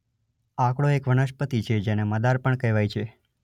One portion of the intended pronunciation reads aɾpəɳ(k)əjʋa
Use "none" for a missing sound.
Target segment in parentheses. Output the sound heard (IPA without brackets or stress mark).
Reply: k